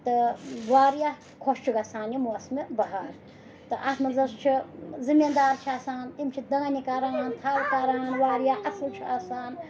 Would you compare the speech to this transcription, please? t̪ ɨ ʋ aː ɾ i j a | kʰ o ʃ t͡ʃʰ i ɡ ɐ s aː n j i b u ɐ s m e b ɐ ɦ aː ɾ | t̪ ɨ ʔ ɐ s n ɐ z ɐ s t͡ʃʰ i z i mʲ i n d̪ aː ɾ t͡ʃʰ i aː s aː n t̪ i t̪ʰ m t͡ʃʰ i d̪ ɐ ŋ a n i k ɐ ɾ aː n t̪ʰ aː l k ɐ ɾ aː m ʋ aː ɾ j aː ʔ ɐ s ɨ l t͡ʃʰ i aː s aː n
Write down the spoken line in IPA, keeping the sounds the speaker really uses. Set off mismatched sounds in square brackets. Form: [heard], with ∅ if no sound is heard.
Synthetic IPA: t̪ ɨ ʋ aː ɾ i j a | kʰ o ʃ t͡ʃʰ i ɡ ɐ s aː n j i [m] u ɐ s m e b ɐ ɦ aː ɾ | t̪ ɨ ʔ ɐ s [m] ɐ z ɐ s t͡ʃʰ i z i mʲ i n d̪ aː ɾ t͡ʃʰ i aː s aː n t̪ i [∅] m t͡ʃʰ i d̪ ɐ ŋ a n i k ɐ ɾ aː n t̪ʰ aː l k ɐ ɾ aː [n] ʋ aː ɾ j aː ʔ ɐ s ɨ l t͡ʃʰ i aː s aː n